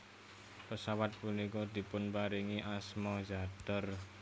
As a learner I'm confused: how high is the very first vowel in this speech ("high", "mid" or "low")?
mid